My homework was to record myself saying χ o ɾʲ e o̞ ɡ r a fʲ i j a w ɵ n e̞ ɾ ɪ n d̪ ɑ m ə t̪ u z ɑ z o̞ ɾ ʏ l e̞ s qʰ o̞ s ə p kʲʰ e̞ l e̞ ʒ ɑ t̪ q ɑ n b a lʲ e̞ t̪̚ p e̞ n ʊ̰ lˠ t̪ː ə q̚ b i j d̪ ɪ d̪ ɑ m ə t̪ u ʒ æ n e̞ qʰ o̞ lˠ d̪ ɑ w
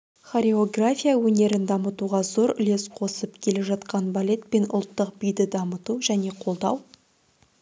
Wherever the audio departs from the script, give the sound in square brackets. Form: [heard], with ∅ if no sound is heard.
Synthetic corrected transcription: χ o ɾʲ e o̞ ɡ r a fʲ i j a w ɵ n e̞ ɾ ɪ n d̪ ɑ m ə t̪ u [ʁ] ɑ z o̞ ɾ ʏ l e̞ s qʰ o̞ s ə p kʲʰ e̞ l e̞ ʒ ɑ t̪ q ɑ n b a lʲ e̞ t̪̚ p e̞ n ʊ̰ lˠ t̪ː ə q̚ b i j d̪ ɪ d̪ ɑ m ə t̪ u ʒ æ n e̞ qʰ o̞ lˠ d̪ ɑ w